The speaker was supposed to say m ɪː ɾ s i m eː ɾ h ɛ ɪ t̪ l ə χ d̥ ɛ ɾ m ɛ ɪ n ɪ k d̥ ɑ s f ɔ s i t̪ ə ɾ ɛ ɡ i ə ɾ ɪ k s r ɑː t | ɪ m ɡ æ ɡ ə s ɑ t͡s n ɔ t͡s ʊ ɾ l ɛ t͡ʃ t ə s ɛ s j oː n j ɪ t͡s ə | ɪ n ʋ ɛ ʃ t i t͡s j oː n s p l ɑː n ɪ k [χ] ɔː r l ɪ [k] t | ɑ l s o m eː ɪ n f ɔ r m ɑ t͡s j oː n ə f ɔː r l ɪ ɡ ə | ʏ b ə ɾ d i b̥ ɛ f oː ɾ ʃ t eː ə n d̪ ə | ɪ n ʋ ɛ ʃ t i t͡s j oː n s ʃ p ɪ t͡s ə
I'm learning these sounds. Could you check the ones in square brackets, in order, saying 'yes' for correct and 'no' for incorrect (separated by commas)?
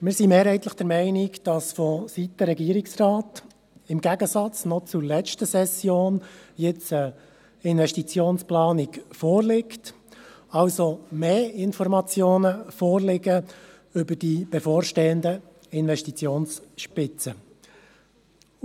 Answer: no, yes